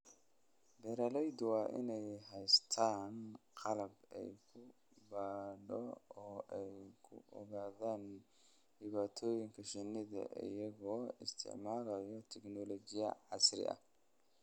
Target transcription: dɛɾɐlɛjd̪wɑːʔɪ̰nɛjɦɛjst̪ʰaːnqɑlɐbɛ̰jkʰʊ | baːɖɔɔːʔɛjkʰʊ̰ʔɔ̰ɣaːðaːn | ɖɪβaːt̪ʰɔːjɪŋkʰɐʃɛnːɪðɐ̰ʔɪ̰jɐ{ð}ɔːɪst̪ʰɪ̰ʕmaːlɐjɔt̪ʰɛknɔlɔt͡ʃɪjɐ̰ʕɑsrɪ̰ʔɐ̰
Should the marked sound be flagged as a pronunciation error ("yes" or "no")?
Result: yes